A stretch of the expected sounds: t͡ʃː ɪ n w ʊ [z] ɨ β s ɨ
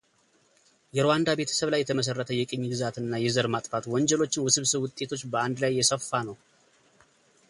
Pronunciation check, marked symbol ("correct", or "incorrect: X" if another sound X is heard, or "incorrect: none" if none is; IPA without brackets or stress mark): incorrect: s